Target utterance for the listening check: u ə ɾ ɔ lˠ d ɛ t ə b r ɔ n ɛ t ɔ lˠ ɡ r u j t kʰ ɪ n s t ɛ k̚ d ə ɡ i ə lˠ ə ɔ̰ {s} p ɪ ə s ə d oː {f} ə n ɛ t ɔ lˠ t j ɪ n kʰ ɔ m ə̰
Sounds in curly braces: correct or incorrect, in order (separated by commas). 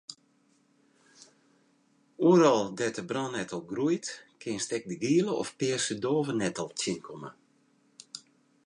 incorrect, incorrect